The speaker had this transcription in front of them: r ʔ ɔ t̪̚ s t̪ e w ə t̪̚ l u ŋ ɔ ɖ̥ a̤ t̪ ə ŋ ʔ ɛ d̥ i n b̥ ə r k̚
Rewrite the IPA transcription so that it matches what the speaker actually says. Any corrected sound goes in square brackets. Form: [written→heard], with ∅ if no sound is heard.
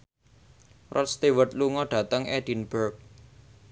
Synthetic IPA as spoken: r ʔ ɔ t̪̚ s t̪ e w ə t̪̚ l u ŋ ɔ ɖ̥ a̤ t̪ ə ŋ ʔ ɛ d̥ i n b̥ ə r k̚

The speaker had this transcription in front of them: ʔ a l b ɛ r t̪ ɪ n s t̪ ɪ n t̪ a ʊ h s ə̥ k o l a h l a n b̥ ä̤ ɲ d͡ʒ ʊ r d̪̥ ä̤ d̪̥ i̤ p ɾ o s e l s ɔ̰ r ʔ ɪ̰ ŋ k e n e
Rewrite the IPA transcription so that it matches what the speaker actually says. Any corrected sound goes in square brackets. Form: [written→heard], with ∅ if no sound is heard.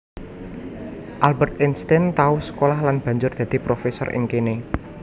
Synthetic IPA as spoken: ʔ a l b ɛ r t̪ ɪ n s t̪ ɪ n t̪ a ʊ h s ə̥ k o l a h l a n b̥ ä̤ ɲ d͡ʒ ʊ r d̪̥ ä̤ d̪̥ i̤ p ɾ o [s→f] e [l→∅] s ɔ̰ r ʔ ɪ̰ ŋ k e n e

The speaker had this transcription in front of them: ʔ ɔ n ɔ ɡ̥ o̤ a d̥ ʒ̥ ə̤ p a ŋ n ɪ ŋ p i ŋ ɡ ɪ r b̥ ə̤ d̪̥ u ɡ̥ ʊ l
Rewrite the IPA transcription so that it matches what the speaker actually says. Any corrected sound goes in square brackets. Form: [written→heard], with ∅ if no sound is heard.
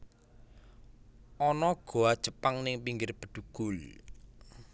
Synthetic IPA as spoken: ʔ ɔ n ɔ ɡ̥ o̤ a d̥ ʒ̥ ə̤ p a ŋ n ɪ ŋ p i ŋ ɡ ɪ r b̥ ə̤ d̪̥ u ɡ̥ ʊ l

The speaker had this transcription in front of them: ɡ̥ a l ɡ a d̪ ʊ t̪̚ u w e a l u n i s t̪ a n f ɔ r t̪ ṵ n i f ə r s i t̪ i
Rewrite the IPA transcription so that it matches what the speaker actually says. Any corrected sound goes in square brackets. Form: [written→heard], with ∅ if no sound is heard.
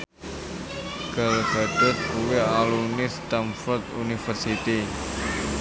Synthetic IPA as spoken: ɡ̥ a l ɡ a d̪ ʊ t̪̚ u w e a l u n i s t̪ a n f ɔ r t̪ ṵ n i f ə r s i t̪ i

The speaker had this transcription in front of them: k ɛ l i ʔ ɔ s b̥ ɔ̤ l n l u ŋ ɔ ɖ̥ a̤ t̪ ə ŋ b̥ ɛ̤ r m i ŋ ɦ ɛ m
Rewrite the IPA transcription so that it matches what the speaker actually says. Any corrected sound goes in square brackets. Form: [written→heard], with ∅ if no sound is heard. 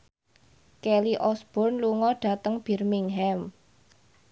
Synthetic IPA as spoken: k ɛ l i ʔ ɔ s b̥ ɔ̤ [l→r] n l u ŋ ɔ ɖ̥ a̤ t̪ ə ŋ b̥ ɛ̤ r m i ŋ ɦ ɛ m

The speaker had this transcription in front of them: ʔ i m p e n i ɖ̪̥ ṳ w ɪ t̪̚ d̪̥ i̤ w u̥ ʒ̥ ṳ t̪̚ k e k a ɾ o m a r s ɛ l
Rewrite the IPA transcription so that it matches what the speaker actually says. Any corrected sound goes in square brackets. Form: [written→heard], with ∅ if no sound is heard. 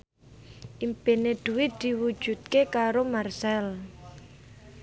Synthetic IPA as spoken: ʔ i m p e n [i→e] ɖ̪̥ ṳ w ɪ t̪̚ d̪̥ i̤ w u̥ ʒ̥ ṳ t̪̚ k e k a ɾ o m a r s ɛ l

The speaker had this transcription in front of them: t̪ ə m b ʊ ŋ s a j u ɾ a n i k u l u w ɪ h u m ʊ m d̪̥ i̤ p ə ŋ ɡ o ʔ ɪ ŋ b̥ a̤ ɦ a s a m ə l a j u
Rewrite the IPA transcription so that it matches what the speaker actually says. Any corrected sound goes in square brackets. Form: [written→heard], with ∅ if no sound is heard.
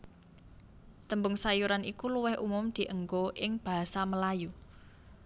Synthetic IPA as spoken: t̪ ə m b ʊ ŋ s a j u ɾ a n i k u l u w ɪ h u m ʊ m d̪̥ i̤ [p→ʔ] ə ŋ ɡ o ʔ ɪ ŋ b̥ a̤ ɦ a s a m ə l a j u

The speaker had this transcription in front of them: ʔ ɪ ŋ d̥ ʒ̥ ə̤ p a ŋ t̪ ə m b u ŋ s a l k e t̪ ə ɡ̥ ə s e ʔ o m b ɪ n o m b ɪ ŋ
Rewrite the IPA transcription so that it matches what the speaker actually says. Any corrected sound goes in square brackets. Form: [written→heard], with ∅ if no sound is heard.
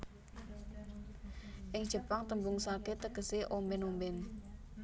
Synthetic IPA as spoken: ʔ ɪ ŋ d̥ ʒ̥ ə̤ p a ŋ t̪ ə m b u ŋ s a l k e t̪ ə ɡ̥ ə s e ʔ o m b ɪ n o m b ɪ [ŋ→n]

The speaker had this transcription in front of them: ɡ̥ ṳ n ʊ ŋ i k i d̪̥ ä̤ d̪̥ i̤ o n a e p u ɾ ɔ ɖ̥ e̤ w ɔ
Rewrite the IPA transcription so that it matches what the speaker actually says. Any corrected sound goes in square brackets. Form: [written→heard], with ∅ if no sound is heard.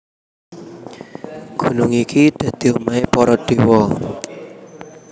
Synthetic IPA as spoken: ɡ̥ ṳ n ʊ ŋ i k i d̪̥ ä̤ d̪̥ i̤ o [n→m] a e p [u→ɔ] ɾ ɔ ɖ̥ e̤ w ɔ

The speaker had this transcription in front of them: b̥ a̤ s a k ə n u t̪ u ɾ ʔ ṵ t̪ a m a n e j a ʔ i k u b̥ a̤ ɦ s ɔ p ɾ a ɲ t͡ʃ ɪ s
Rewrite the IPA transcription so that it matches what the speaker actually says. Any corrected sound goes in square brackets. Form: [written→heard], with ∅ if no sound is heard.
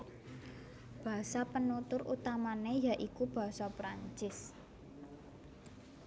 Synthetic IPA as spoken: b̥ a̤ s a [k→p] ə n u t̪ [u→ʊ] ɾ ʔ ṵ t̪ a m a n e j a ʔ i k u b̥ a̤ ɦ s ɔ p ɾ a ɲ t͡ʃ ɪ s

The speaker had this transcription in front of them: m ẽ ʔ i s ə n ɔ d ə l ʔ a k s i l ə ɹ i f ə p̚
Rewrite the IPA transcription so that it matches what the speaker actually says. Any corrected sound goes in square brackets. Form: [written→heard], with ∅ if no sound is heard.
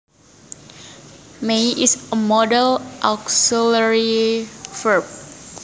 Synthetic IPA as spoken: m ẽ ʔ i s ə [n→m] ɔ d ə l ʔ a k s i l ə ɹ i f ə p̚

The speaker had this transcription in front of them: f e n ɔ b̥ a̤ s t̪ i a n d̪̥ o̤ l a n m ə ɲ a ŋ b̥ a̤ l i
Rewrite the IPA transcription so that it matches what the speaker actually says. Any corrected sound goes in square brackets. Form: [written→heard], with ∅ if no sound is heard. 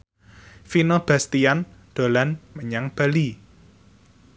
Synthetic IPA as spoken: f [e→i] n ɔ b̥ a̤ s t̪ i a n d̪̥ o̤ l a n m ə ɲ a ŋ b̥ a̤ l i

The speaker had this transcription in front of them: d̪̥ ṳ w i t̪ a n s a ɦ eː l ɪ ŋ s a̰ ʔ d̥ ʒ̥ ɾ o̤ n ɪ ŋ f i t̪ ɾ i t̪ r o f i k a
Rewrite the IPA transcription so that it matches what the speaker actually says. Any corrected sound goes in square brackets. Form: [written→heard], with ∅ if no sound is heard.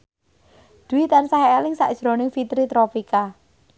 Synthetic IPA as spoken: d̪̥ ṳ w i t̪ a n s a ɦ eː l ɪ ŋ s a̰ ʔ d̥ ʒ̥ ɾ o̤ n ɪ ŋ f i t̪ ɾ i t̪ [r→ɾ] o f i k a

